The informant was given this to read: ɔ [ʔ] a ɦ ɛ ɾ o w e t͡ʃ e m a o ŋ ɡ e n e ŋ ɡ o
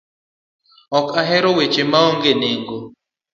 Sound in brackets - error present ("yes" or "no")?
yes